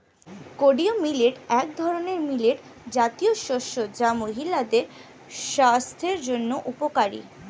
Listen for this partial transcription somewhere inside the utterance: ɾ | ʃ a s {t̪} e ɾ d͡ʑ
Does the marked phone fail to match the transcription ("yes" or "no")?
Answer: yes